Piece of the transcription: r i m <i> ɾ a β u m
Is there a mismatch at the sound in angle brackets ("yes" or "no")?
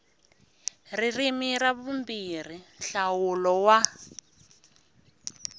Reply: no